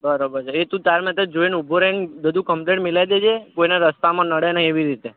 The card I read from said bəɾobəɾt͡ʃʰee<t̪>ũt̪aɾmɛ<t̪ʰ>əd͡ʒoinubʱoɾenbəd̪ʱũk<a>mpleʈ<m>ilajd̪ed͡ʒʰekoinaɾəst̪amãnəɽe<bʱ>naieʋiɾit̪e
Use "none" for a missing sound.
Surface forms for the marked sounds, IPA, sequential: t̪, t̪, ə, m, none

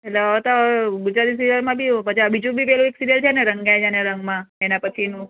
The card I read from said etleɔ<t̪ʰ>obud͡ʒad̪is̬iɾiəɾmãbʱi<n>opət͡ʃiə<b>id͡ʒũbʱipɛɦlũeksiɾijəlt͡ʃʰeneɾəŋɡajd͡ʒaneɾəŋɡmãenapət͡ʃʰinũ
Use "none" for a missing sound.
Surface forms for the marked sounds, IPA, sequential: t̪, none, b

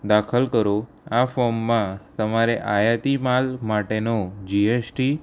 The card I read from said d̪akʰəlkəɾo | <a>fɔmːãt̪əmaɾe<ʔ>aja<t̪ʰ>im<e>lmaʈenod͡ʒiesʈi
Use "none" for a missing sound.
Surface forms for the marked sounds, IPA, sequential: a, ʔ, t̪, a

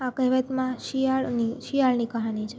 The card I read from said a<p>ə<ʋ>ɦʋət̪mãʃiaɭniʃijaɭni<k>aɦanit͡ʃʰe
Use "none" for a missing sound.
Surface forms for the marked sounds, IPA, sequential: k, none, k

